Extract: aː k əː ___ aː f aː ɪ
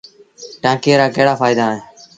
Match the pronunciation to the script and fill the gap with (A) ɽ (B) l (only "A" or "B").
A